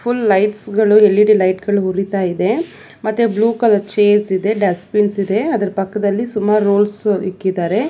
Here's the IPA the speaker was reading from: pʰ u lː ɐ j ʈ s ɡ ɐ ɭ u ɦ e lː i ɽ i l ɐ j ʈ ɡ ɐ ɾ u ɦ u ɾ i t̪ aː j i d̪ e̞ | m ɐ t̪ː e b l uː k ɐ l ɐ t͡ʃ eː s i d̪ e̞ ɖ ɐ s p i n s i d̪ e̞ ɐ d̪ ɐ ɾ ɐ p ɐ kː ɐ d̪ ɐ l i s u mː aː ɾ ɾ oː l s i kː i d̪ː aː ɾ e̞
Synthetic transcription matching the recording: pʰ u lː ɐ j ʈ s ɡ ɐ ɭ u ɦ e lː i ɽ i l ɐ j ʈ ɡ ɐ ɭ u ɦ u ɾ i t̪ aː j i d̪ e̞ | m ɐ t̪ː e b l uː k ɐ l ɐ t͡ʃ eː s i d̪ e̞ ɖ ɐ s p i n s i d̪ e̞ ɐ d̪ ɐ ɾ ɐ p ɐ kː ɐ d̪ ɐ lː i s u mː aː ɾ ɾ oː l s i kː i d̪ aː ɾ e̞